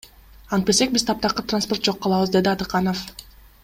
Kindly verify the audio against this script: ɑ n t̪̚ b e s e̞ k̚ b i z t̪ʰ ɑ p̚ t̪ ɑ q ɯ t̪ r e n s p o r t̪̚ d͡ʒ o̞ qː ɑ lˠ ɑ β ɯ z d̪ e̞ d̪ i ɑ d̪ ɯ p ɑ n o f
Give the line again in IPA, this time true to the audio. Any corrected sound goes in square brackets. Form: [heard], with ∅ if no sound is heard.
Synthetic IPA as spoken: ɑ n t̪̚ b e s e̞ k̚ b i z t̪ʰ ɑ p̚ t̪ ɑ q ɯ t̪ r [a] n s p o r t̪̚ d͡ʒ o̞ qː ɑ lˠ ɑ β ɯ z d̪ e̞ d̪ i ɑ d̪ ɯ [q] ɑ n o f